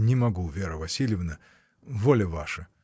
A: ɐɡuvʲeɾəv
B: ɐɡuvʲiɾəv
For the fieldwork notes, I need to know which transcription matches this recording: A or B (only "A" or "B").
A